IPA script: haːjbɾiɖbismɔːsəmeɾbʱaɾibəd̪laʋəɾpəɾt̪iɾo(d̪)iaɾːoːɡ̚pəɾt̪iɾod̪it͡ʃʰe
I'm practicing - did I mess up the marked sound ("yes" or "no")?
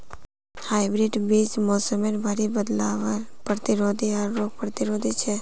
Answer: no